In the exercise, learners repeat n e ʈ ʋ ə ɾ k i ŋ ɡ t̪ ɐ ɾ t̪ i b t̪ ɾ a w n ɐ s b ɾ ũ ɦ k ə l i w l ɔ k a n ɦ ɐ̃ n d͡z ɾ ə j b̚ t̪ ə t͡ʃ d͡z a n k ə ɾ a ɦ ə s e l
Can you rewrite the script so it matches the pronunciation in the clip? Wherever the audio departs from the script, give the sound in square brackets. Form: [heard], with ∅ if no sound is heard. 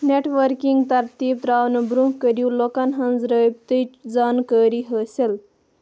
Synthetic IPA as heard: n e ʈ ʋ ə ɾ k i ŋ ɡ t̪ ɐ ɾ t̪ i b t̪ ɾ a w n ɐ [∅] b ɾ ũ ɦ k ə [ɾ] i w l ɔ k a n ɦ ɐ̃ n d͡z ɾ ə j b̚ t̪ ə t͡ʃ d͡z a n k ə ɾ [i] ɦ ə s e l

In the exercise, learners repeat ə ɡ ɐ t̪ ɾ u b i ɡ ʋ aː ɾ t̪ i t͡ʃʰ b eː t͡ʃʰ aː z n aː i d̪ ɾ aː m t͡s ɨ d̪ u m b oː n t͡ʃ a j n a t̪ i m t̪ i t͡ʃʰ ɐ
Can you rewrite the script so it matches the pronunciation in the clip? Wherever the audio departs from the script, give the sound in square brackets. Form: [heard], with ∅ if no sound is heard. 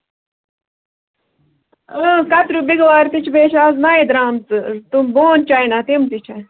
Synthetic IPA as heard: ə [k] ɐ t̪ ɾ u b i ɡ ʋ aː ɾ t̪ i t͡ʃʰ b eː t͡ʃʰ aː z n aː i d̪ ɾ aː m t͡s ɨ [t̪] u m b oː n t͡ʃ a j n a t̪ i m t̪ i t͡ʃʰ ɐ

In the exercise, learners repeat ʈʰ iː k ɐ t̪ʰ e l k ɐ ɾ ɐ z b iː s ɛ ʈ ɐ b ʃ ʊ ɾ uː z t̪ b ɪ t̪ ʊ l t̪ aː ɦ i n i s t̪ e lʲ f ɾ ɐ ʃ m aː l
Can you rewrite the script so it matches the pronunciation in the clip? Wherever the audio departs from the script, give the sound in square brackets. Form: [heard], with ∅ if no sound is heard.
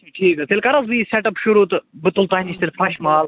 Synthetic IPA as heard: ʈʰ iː k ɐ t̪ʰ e l k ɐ ɾ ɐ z b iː s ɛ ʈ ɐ [p] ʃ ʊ ɾ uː [∅] t̪ b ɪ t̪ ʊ l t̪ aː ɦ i n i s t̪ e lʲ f ɾ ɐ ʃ m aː l

